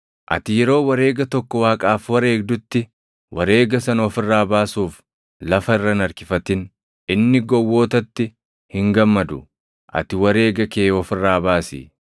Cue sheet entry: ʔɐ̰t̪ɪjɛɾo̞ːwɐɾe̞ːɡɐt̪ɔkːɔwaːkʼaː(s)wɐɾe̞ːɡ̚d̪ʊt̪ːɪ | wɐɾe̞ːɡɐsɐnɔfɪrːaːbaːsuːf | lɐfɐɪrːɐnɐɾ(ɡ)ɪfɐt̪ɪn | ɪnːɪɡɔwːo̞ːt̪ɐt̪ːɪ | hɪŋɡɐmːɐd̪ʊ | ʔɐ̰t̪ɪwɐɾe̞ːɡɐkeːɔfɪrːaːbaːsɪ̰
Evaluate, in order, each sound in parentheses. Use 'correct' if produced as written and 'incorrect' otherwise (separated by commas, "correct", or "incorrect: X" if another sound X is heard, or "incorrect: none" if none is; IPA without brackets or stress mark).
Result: incorrect: f, incorrect: k